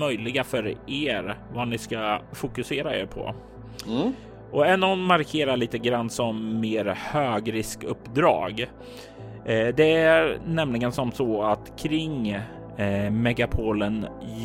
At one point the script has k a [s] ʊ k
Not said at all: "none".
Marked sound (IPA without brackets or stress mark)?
f